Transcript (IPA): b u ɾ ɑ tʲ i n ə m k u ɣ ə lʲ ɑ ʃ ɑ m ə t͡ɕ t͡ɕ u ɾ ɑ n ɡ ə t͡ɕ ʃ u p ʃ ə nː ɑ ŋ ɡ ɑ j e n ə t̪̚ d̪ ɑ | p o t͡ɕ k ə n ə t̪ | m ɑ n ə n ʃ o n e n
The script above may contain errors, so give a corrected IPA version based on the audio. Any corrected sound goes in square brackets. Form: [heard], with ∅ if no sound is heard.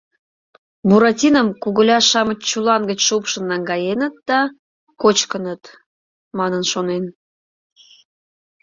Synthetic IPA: b u ɾ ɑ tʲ i n ə m k u ɣ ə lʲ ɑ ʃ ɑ m ə t͡ɕ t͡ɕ u [l] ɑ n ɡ ə t͡ɕ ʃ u p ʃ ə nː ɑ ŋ ɡ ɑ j e n ə t̪̚ d̪ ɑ | [k] o t͡ɕ k ə n ə t̪ | m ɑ n ə n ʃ o n e n